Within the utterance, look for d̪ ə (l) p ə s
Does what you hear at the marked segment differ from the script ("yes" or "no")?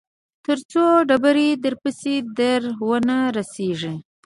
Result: yes